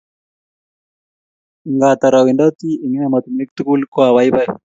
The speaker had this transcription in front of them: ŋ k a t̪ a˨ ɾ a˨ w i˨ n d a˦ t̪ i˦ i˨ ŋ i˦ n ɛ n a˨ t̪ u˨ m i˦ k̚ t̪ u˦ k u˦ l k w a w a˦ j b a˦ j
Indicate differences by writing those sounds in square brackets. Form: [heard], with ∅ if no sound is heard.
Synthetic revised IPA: ŋ [ɡ] a t̪ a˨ ɾ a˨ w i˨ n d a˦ t̪ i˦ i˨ ŋ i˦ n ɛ [m] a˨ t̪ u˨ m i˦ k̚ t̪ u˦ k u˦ l k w a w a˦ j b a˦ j